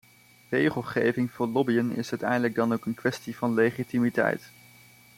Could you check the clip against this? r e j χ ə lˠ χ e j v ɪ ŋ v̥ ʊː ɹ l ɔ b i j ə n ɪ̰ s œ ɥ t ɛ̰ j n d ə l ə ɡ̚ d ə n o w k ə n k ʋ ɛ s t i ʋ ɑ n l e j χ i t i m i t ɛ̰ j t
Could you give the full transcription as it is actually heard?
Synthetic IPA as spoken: r e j χ ə lˠ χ e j v ɪ ŋ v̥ ʊː ɹ l ɔ b i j ə n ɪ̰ s œ ɥ t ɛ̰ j n d ə l ə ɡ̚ d ɑ n o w k ə n k ʋ ɛ s t i v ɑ n l e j χ i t i m i t ɛ̰ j t